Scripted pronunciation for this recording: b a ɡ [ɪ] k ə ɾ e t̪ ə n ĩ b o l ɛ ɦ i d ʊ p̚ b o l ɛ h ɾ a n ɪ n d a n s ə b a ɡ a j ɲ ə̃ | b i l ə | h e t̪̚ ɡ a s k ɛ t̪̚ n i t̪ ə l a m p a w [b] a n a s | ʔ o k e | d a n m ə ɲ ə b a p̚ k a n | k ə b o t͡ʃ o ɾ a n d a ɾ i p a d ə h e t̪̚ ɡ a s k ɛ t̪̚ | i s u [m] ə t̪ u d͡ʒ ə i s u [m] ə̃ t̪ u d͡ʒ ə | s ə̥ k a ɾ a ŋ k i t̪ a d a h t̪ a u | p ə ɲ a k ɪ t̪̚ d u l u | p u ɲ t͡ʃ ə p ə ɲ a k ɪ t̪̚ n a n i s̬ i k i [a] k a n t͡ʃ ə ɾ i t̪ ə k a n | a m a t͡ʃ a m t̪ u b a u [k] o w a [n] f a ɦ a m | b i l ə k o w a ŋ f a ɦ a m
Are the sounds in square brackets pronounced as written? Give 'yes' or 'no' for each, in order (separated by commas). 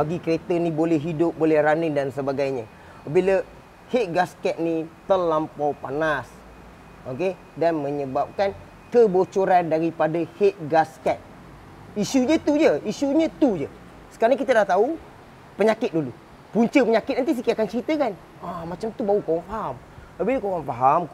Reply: no, no, no, no, yes, yes, no